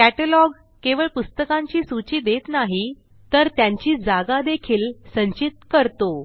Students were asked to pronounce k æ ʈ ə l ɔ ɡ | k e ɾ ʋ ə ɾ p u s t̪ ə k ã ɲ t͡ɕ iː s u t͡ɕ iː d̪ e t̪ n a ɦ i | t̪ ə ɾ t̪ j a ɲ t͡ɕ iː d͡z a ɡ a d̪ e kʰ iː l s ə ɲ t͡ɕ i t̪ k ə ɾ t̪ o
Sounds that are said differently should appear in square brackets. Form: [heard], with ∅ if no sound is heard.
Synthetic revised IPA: k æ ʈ ə l ɔ ɡ | k e [∅] ʋ ə [ɭ] p u s t̪ ə k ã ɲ t͡ɕ iː s u t͡ɕ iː d̪ e t̪ n a ɦ i | t̪ ə ɾ t̪ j a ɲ t͡ɕ iː d͡z a ɡ a d̪ e kʰ iː l s ə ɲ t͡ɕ i t̪ k ə ɾ t̪ o